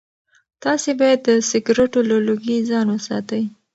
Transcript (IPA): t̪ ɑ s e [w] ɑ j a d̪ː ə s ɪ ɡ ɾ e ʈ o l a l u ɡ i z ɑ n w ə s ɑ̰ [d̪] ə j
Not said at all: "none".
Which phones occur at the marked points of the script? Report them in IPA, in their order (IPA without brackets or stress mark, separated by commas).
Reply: b, t̪